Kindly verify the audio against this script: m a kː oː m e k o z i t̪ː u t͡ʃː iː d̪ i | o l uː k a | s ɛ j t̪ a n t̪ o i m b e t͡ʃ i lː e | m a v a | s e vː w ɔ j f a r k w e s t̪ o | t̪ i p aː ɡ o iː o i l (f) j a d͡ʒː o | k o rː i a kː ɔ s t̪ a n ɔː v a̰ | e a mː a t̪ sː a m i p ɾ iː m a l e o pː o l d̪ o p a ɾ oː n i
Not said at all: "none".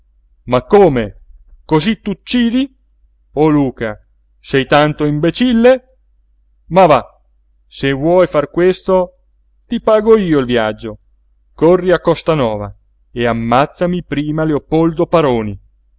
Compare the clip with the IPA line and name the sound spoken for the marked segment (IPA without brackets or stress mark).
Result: v